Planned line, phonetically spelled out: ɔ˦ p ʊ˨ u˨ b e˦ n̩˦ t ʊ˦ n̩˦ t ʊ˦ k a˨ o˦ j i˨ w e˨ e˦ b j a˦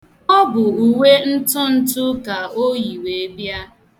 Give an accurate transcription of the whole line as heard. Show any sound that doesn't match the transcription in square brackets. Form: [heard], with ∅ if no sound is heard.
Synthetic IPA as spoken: ɔ˦ [b] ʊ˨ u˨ [w] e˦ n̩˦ t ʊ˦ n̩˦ t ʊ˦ k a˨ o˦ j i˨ w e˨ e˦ b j a˦